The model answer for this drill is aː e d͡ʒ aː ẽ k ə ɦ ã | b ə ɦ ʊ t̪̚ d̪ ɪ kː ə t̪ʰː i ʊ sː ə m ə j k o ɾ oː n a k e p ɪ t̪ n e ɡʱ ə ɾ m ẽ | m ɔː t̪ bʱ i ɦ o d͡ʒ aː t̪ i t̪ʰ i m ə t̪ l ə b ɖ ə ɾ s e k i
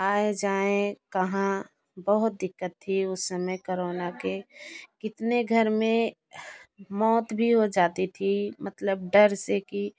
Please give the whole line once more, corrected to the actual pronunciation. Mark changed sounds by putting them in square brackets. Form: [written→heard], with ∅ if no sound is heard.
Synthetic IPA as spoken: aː e d͡ʒ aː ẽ k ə ɦ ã | b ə ɦ ʊ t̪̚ d̪ ɪ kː ə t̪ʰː i ʊ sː ə m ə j k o ɾ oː n a k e [p→k] ɪ t̪ n e ɡʱ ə ɾ m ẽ | m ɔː t̪ bʱ i ɦ o d͡ʒ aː t̪ i t̪ʰ i m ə t̪ l ə b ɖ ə ɾ s e k i